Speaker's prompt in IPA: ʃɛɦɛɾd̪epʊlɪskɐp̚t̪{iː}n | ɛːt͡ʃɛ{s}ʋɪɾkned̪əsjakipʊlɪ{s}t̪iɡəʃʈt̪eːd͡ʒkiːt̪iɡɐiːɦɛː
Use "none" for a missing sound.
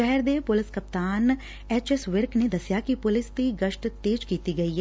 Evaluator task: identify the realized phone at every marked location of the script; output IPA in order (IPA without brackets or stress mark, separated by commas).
aː, s, s